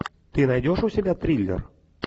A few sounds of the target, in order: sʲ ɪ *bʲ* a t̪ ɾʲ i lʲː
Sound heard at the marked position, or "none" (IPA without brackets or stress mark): bʲ